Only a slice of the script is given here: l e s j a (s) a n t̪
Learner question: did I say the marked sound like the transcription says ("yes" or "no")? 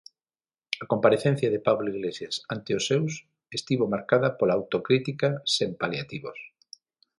yes